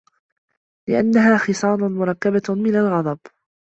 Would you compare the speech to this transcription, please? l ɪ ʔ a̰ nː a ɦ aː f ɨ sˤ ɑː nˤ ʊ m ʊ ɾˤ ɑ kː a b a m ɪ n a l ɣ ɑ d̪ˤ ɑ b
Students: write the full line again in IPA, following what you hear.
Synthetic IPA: l ɪ ʔ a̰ nː a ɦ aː x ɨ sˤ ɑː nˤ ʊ m ʊ ɾˤ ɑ kː a b a m ɪ n a l ɣ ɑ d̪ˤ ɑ b